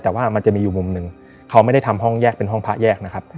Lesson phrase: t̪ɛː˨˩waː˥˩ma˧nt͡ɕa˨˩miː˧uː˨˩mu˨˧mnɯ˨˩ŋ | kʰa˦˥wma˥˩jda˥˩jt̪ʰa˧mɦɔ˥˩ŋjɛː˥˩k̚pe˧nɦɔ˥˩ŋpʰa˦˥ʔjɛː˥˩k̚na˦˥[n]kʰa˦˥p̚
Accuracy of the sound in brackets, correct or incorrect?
incorrect